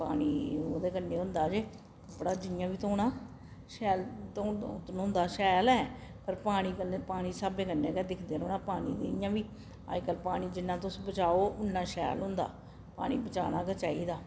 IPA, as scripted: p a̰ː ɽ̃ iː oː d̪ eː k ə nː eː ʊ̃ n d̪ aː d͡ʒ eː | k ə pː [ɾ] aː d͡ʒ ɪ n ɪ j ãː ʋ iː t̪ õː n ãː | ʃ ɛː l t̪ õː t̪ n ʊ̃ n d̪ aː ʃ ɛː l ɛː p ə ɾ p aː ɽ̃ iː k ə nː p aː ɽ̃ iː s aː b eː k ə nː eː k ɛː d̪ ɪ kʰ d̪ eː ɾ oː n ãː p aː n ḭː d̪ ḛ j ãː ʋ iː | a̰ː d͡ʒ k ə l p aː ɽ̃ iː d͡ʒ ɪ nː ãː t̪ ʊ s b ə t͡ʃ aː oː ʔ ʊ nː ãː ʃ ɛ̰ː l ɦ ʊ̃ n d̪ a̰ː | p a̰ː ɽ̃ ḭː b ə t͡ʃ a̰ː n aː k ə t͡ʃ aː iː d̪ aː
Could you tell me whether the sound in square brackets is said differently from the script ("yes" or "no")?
yes